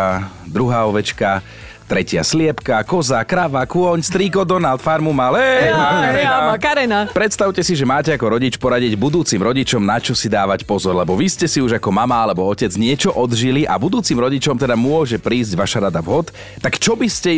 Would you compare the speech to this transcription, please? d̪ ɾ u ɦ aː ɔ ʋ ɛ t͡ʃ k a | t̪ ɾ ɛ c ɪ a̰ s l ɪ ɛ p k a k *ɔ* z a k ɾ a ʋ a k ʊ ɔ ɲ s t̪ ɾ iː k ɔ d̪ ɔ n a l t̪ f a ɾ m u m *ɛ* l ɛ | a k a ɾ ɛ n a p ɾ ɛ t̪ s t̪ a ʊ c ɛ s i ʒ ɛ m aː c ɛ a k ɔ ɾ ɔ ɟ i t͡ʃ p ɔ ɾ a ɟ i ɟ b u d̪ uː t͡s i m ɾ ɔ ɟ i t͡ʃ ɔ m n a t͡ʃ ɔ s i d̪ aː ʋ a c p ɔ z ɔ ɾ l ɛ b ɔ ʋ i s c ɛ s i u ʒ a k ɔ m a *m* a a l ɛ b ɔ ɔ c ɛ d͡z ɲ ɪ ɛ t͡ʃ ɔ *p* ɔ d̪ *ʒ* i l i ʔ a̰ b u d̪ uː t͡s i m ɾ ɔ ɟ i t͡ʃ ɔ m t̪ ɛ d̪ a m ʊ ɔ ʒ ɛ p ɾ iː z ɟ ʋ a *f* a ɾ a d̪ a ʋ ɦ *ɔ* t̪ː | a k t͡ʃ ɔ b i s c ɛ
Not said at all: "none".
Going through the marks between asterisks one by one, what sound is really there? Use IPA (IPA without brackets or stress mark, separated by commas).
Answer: ɔ, a, m, ʔ, ʒ, ʃ, ɔ